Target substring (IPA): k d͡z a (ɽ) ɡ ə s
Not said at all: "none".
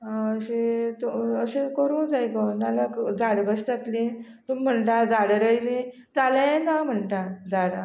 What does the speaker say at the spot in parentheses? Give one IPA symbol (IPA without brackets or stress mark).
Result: ɽ